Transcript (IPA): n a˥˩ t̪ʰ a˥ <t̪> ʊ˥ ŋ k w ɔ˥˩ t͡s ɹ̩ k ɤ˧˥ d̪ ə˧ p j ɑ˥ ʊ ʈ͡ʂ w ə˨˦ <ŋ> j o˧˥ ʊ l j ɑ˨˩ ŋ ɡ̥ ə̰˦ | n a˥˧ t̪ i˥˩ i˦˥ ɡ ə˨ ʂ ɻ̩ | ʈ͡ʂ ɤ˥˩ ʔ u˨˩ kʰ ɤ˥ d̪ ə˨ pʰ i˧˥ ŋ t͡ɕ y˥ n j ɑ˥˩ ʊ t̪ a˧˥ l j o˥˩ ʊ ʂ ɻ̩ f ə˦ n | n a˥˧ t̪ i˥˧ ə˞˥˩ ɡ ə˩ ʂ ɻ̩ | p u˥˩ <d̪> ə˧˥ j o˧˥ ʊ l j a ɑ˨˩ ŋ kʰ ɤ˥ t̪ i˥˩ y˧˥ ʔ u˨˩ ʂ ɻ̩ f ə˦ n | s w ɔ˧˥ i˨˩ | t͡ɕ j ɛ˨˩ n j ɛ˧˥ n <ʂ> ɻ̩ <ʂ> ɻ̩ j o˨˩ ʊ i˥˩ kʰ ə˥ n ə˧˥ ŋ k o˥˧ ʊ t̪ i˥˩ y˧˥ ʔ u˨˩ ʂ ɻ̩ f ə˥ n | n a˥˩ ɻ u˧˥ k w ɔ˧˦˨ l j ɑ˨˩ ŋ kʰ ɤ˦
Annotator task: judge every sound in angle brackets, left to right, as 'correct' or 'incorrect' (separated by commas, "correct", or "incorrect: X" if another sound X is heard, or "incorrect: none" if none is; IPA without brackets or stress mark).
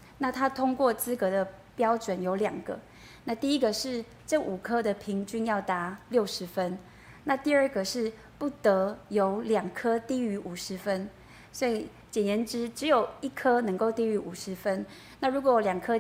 incorrect: t̪ʰ, incorrect: n, incorrect: t̪, incorrect: ʈ͡ʂ, incorrect: ʈ͡ʂ